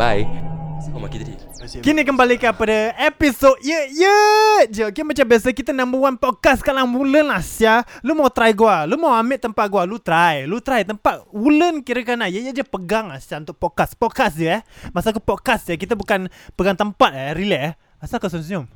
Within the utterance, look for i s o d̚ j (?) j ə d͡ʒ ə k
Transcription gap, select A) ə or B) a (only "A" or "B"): A